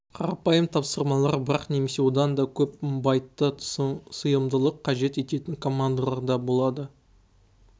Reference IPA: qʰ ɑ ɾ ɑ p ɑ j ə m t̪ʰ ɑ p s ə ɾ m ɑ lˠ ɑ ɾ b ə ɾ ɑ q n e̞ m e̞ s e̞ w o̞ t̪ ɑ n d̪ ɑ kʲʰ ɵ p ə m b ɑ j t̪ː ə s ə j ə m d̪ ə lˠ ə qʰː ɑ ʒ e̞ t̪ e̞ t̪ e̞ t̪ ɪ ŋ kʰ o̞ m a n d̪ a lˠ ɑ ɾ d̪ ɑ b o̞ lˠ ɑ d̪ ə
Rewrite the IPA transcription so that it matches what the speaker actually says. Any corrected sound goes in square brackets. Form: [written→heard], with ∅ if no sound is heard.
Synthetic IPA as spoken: qʰ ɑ ɾ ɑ p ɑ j ə m t̪ʰ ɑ p s ə ɾ m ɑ lˠ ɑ ɾ b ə ɾ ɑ q n e̞ m e̞ s e̞ w o̞ [t̪→d̪] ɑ n d̪ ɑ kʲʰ ɵ p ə m b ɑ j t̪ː ə s ə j ə m d̪ ə lˠ ə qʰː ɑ ʒ e̞ t̪ e̞ t̪ e̞ t̪ ɪ ŋ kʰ o̞ m a n d̪ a lˠ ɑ ɾ d̪ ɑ b o̞ lˠ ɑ d̪ ə